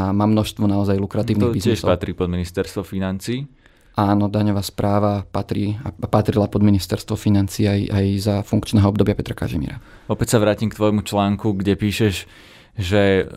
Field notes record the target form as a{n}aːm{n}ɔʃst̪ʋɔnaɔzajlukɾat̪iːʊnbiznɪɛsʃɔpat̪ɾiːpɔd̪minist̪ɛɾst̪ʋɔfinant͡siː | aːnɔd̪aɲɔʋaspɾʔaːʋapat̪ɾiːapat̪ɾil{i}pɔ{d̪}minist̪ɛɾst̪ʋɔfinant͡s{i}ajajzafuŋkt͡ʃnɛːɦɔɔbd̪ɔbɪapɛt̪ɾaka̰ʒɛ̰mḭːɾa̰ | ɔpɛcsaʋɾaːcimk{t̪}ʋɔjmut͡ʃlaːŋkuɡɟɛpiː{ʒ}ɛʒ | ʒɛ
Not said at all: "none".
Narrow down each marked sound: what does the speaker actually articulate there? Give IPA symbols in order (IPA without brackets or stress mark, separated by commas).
m, n, a, d̪, iː, t̪, ʃ